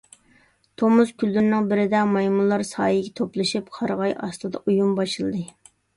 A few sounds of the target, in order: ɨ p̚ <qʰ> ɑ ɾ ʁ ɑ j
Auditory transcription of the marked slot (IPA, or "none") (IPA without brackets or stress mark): qʰ